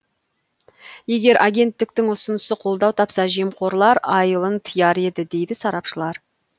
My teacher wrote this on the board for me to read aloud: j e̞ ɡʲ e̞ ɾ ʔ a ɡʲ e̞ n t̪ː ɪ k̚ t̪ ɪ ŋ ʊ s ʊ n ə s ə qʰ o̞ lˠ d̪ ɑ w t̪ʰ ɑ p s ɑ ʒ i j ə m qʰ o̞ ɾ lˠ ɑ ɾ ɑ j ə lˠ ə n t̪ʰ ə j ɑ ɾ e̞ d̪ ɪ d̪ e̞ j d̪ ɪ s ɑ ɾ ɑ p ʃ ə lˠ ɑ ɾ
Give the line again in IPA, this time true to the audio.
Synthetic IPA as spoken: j e̞ ɡʲ e̞ ɾ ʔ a ɡʲ e̞ n t̪ː ɪ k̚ t̪ ɪ ŋ ʊ s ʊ n ə s ə qʰ o̞ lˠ d̪ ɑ w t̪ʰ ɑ p s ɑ ʒ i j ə m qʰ o̞ ɾ lˠ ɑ ɾ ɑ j ə lˠ ə n t̪ʰ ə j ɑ ɾ e̞ d̪ ɪ d̪ e̞ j d̪ ɪ s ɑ ɾ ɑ p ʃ ə lˠ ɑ ɾ